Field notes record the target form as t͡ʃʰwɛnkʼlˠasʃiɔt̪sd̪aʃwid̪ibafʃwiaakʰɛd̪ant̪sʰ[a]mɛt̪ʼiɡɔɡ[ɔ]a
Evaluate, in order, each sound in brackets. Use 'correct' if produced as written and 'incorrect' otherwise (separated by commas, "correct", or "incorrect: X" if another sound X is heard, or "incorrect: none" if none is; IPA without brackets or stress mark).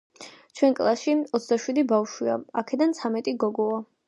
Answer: correct, correct